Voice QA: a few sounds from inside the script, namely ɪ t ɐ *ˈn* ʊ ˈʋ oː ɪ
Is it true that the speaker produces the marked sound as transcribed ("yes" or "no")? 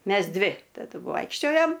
no